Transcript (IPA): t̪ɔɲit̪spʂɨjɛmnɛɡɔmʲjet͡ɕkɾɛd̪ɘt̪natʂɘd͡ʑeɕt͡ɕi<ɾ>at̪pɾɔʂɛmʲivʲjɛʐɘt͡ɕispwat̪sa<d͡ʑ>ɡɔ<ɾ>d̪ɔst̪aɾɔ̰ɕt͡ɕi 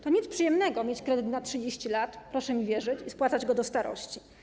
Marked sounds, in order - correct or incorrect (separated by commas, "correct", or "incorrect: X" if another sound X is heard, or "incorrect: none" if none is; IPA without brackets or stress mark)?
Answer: incorrect: l, correct, incorrect: none